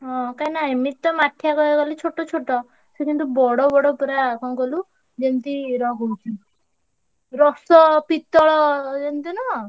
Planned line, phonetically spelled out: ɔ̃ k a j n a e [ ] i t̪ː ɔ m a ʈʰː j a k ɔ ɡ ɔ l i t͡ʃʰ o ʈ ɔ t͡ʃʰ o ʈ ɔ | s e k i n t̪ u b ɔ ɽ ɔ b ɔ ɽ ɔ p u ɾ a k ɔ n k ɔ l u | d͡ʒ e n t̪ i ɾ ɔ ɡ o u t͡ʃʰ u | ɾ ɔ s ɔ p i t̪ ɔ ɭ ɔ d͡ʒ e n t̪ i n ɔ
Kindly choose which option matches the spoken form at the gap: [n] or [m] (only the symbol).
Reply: m